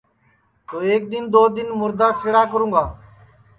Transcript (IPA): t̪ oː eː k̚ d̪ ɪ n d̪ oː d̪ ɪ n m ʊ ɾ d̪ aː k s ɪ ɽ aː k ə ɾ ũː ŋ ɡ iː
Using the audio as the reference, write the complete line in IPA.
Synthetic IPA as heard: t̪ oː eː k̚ d̪ ɪ n d̪ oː d̪ ɪ n m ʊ ɾ d̪ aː s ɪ ɽ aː k ə ɾ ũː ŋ ɡ aː